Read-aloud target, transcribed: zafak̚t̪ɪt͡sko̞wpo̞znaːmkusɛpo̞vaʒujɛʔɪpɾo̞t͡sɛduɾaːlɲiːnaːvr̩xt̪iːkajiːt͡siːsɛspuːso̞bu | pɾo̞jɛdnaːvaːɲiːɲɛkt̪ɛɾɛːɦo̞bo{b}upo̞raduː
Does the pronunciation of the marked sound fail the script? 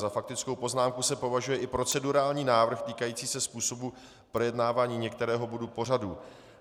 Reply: yes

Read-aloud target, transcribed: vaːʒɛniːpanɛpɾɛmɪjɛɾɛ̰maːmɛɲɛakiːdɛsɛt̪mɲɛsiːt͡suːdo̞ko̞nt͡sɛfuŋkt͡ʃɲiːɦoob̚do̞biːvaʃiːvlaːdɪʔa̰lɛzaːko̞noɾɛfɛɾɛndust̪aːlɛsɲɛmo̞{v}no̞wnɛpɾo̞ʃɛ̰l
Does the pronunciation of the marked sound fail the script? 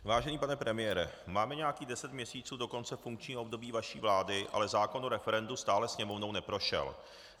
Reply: no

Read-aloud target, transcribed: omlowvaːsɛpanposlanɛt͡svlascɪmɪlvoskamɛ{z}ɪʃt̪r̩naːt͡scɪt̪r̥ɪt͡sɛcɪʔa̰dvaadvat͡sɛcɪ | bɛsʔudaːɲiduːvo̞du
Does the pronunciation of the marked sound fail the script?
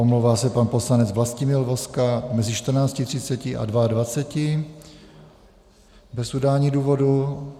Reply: no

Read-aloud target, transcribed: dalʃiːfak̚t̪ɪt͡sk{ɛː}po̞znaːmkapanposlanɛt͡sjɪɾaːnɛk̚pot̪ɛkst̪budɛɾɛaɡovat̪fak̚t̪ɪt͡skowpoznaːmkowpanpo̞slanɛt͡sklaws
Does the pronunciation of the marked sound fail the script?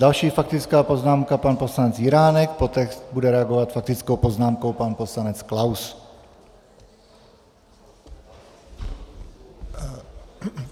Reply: yes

